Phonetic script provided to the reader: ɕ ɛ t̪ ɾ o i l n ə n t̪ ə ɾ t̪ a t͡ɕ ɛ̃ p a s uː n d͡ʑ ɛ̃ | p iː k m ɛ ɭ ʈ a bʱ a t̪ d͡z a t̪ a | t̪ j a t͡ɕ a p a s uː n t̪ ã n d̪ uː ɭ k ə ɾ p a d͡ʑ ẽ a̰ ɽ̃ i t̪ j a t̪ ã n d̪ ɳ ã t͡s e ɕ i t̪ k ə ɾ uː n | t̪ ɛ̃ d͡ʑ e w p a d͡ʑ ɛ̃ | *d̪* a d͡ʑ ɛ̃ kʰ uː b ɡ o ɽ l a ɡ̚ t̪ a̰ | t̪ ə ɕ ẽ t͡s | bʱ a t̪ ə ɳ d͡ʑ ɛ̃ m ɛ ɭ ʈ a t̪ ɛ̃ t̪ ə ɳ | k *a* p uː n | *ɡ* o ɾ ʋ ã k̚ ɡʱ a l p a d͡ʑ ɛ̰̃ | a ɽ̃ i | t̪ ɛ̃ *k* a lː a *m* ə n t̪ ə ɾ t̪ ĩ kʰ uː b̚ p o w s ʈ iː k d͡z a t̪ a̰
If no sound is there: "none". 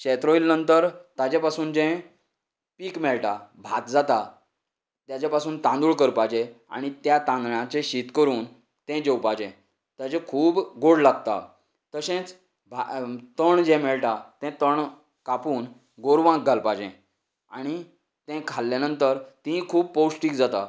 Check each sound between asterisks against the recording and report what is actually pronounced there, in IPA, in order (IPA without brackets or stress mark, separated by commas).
t̪, a, ɡ, kʰ, n